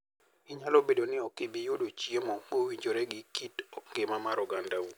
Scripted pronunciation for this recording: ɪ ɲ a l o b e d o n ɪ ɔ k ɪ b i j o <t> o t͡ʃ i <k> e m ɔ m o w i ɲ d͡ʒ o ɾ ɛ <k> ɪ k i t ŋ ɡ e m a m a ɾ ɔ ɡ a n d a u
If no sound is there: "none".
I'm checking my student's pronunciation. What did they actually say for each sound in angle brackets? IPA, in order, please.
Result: d, none, ɡ

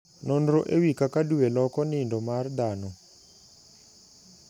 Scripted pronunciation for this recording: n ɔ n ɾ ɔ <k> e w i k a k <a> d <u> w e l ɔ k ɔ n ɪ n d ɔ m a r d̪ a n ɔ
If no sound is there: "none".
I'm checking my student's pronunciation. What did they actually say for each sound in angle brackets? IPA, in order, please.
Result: ʔ, a, u

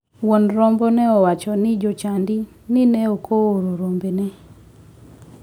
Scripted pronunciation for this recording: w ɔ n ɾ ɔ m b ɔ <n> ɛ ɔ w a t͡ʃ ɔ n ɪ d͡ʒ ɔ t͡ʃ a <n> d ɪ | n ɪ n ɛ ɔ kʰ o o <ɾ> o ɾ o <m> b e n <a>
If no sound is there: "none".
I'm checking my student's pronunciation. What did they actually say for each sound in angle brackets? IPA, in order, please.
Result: n, n, ɾ, m, ɛ

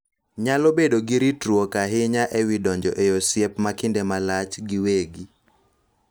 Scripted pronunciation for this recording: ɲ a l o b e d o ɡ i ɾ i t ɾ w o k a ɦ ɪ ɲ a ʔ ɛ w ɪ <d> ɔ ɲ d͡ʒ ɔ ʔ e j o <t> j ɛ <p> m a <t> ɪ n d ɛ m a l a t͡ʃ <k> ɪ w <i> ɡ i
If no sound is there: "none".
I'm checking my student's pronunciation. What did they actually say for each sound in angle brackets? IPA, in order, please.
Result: d, s, p, k, ɡ, e

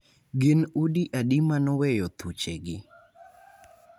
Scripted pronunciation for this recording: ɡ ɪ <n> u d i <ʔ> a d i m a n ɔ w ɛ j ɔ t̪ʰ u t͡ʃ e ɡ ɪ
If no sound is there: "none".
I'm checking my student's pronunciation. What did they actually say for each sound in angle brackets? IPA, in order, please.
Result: n, ʔ

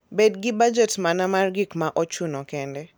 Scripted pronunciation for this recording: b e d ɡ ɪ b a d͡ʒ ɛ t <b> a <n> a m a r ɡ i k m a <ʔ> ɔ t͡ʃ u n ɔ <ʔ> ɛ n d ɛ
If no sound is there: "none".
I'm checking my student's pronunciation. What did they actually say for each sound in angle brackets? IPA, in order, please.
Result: m, n, ʔ, k

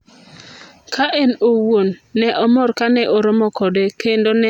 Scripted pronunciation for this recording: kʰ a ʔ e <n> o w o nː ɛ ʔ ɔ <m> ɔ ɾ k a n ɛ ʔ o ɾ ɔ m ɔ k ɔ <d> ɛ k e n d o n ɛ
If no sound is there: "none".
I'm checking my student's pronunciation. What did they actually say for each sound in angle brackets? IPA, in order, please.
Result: n, m, d

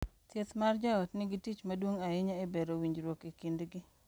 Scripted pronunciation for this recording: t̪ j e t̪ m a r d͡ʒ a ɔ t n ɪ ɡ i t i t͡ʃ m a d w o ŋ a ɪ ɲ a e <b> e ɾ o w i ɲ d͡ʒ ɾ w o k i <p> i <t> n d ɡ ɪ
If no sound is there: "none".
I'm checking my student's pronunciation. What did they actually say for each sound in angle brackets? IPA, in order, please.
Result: b, k, none

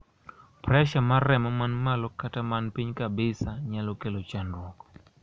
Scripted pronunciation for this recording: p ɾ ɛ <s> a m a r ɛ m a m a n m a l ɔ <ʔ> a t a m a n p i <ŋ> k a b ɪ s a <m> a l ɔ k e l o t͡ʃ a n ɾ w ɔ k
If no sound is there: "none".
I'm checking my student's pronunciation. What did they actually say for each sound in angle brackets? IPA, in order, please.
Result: ʃ, k, ɲ, ɲ

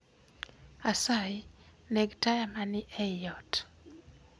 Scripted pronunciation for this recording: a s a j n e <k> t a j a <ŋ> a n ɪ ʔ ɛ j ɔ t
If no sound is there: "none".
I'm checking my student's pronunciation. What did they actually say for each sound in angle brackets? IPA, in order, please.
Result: ɡ, m

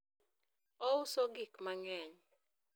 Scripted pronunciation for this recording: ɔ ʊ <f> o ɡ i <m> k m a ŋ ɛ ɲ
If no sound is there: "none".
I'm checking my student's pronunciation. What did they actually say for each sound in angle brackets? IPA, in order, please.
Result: s, none

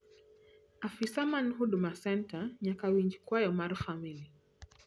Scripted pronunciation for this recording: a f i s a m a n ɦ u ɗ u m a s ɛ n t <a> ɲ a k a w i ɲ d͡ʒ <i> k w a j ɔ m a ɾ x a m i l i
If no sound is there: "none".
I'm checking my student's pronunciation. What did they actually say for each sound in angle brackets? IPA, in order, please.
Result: a, i

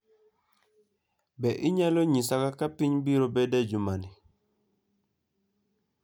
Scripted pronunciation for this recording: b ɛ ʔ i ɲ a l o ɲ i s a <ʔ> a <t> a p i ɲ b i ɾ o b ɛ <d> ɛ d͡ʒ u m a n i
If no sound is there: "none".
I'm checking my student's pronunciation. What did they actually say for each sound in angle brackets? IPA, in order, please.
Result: k, k, d

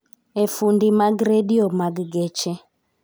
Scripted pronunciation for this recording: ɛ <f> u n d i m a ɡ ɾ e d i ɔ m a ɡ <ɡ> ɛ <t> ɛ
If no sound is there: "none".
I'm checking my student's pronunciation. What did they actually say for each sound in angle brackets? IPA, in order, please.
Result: f, ɡ, t͡ʃ

